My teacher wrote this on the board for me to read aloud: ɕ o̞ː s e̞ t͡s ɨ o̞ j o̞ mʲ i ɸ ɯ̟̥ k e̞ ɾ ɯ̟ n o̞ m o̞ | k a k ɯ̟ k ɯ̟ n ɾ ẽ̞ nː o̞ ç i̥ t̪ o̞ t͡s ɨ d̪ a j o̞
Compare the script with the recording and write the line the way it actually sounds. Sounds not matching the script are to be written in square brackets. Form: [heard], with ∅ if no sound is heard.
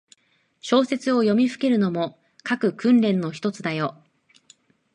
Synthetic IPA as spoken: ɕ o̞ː s e̞ t͡s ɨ o̞ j o̞ mʲ i ɸ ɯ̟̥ k e̞ ɾ ɯ̟ n o̞ m o̞ | k a k ɯ̟ k [ɯ̟̃] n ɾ ẽ̞ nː o̞ ç i̥ t̪ o̞ t͡s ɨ d̪ a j o̞

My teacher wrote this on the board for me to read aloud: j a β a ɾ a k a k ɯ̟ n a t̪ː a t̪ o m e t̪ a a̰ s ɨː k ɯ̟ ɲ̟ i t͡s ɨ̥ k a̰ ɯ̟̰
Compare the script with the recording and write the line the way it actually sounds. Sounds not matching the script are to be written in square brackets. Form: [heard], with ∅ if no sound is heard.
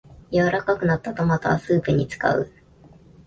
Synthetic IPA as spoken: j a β a ɾ a k a k ɯ̟ n a t̪ː a t̪ o m [a] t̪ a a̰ s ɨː [p] ɯ̟ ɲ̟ i t͡s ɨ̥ k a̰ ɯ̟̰

